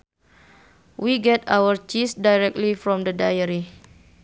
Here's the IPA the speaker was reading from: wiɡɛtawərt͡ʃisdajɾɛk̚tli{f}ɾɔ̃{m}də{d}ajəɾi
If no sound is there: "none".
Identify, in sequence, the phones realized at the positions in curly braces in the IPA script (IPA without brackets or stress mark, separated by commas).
f, m, d